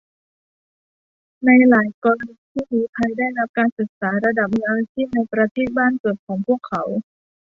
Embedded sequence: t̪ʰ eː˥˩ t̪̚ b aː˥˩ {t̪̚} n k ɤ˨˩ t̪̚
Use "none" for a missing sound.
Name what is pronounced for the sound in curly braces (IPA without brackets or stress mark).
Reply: none